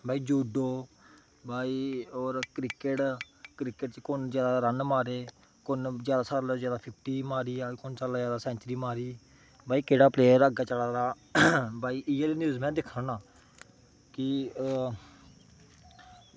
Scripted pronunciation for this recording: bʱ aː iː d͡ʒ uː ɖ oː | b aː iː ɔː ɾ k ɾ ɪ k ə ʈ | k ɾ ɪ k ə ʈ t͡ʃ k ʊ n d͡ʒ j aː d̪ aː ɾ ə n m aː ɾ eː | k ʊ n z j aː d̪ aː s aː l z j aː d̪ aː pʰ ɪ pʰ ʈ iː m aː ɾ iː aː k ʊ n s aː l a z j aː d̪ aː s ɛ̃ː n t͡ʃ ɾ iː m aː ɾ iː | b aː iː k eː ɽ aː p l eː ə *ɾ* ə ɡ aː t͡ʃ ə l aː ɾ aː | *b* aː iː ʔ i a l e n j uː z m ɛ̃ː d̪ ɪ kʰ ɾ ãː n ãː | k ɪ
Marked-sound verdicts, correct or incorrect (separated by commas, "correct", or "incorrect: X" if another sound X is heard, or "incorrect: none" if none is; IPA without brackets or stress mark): correct, correct